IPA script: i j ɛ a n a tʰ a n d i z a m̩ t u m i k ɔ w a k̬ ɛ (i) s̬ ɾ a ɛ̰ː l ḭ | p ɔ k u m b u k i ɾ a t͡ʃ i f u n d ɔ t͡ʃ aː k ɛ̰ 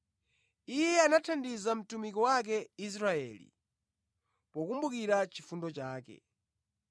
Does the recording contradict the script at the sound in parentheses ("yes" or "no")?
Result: no